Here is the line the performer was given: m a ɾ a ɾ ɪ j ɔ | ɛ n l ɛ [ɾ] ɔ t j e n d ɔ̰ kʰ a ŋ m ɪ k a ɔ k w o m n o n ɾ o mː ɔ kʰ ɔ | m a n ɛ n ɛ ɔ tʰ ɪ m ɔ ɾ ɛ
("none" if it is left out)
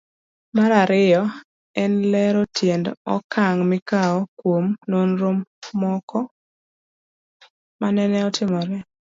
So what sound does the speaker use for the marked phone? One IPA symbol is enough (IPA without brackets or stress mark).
ɾ